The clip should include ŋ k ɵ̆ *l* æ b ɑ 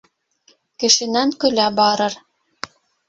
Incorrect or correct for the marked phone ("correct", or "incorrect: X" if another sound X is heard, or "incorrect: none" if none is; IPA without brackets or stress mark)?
correct